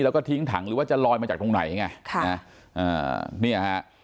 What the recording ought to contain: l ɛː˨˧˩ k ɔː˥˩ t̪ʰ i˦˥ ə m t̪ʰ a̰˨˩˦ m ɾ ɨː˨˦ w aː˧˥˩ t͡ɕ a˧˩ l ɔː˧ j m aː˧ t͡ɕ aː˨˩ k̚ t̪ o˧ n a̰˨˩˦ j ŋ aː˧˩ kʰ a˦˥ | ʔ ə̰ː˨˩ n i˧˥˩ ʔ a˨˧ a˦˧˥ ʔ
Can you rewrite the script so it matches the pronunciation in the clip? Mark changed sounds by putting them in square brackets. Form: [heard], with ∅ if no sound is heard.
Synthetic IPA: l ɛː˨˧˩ k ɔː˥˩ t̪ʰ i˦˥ ə [ŋ] t̪ʰ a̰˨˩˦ [ŋ] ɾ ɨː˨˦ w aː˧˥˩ t͡ɕ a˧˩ l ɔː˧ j m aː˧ t͡ɕ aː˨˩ k̚ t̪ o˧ n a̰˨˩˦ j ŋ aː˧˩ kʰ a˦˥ | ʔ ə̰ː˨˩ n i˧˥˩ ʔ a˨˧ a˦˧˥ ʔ